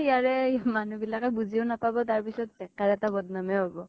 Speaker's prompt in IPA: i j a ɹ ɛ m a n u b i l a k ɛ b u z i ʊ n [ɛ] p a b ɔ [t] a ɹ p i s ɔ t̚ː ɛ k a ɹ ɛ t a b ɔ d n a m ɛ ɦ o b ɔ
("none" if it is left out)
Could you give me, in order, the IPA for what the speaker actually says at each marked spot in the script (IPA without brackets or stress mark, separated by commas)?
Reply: a, t